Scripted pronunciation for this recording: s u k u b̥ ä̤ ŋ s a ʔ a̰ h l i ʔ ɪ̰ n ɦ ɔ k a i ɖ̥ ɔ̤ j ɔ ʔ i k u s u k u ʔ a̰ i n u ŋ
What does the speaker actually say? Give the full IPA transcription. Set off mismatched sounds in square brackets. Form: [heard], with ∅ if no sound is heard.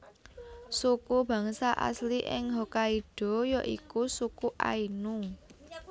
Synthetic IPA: s u k u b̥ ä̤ ŋ s a ʔ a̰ [s] l i ʔ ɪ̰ [ŋ] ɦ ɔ k a i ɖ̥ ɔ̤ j ɔ ʔ i k u s u k u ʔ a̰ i n u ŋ